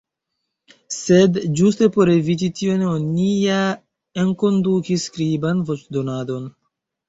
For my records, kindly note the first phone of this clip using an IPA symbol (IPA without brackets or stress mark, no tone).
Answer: s